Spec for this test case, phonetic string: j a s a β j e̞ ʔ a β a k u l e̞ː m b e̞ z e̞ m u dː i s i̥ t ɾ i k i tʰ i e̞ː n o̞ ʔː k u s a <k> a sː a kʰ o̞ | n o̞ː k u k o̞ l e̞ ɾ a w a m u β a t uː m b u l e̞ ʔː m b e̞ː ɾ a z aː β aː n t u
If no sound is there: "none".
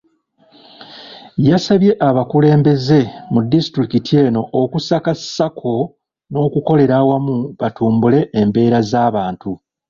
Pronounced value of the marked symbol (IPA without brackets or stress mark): k